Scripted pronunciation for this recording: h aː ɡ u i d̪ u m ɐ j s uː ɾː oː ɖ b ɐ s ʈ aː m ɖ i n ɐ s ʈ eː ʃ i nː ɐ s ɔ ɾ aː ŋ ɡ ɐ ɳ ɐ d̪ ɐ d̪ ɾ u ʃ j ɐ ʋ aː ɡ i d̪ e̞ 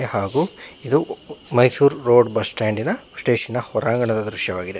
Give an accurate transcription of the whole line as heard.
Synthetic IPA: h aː ɡ u i d̪ u m ɐ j s uː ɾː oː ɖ b ɐ s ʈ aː ɳ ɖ i n ɐ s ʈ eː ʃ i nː ɐ h ɔ ɾ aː ŋ ɡ ɐ ɳ ɐ d̪ ɐ d̪ ɾ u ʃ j ɐ ʋ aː ɡ i d̪ e̞